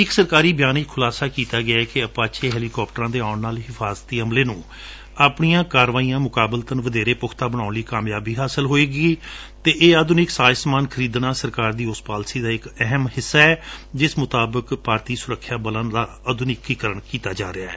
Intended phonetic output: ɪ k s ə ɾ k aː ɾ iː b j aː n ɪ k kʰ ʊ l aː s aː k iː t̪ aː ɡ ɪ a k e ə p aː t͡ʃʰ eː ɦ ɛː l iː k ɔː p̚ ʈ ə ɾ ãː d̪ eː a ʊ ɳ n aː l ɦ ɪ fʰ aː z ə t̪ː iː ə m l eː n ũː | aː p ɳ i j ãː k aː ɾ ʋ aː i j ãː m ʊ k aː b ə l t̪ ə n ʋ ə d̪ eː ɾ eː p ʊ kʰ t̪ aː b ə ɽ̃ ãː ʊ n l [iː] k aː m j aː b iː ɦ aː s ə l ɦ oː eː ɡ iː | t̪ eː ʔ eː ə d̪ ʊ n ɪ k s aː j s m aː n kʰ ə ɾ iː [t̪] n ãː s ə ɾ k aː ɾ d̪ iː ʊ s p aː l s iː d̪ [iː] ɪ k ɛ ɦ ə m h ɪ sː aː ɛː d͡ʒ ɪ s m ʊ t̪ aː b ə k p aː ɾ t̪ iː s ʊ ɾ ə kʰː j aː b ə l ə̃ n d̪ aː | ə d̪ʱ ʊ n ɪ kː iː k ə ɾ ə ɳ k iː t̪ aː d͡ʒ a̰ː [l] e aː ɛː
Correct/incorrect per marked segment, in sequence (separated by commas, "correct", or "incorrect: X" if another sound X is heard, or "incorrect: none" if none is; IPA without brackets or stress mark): correct, incorrect: d̪, incorrect: aː, incorrect: ɾ